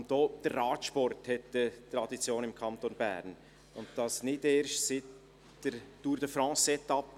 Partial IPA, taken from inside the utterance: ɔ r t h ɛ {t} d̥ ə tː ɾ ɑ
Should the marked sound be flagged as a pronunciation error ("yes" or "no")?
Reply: no